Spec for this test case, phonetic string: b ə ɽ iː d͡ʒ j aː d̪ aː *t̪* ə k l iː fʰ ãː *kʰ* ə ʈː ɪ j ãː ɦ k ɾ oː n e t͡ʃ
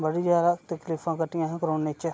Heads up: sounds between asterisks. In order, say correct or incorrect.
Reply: correct, incorrect: k

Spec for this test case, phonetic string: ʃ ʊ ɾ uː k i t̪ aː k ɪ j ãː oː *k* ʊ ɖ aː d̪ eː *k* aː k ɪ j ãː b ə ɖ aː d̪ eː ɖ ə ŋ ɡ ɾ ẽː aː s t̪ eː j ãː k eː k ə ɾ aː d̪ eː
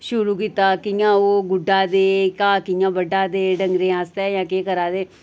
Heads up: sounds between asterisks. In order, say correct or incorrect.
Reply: incorrect: ɡ, correct

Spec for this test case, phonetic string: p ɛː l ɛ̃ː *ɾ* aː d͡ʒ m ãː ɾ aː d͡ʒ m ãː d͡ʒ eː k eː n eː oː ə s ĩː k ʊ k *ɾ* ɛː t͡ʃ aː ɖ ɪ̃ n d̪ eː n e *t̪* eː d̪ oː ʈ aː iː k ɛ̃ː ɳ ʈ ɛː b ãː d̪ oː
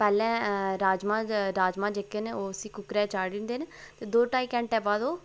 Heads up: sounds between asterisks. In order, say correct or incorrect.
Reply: correct, correct, correct

